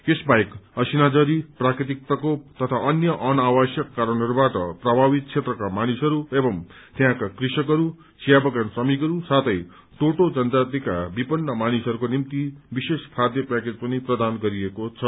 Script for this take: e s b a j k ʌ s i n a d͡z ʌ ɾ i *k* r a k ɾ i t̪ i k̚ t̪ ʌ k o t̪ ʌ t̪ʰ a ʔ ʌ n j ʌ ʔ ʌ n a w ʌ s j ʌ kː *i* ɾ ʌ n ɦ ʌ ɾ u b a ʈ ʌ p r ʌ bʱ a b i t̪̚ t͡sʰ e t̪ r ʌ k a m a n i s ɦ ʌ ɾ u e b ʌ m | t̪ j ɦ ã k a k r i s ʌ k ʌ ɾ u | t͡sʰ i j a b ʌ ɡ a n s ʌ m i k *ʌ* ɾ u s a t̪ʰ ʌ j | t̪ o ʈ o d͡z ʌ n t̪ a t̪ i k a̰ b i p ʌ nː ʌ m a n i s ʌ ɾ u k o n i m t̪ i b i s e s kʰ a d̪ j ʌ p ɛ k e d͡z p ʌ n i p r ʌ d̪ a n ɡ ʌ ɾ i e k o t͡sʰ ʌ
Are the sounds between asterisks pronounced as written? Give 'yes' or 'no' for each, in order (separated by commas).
no, no, yes